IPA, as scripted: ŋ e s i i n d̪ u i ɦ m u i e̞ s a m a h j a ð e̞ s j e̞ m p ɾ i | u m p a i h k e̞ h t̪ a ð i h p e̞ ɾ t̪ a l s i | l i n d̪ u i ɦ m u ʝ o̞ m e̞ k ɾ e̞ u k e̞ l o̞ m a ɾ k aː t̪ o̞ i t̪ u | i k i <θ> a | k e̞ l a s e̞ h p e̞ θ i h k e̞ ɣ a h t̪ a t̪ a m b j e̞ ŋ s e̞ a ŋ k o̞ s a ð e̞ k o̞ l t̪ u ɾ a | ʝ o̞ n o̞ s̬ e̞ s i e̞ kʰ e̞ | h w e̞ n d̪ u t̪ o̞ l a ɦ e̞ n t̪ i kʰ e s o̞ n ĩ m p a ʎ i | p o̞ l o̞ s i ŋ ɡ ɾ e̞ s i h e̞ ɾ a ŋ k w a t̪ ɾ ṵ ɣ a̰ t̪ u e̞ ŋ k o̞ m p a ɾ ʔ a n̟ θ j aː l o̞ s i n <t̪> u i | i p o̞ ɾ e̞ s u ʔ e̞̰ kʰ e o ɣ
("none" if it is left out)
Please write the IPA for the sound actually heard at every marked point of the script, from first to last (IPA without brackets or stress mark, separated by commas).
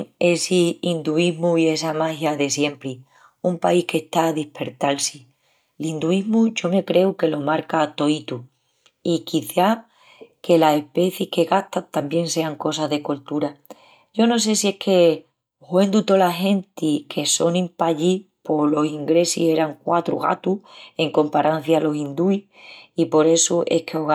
θ, d̪